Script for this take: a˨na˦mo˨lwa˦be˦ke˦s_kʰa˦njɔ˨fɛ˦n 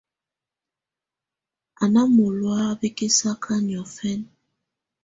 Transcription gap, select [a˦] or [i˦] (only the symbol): a˦